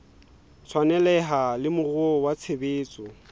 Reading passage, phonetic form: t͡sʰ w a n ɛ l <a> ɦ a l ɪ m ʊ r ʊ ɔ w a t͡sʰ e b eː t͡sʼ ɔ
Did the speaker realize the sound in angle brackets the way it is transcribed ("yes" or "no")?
no